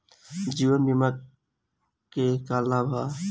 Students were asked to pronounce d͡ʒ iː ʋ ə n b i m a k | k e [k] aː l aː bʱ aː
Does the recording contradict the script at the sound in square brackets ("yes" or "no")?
no